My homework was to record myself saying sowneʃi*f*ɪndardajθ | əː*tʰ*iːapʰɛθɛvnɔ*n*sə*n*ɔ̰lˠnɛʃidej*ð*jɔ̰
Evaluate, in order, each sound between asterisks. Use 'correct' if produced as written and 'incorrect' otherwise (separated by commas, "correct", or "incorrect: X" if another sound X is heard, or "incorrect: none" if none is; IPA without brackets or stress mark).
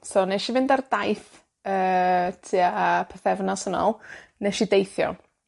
incorrect: v, correct, incorrect: none, correct, incorrect: θ